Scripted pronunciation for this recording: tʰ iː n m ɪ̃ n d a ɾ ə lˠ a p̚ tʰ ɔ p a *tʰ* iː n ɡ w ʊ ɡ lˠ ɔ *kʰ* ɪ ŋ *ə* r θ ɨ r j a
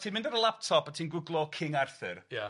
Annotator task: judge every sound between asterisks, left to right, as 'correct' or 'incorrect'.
correct, correct, incorrect: a

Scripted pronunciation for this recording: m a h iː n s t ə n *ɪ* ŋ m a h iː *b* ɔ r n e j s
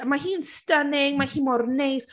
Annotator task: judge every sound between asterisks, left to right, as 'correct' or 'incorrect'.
correct, incorrect: m

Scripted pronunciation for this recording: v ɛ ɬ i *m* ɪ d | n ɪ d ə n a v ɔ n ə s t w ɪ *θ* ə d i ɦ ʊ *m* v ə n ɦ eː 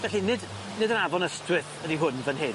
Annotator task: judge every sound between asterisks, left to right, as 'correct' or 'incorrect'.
incorrect: n, correct, incorrect: n

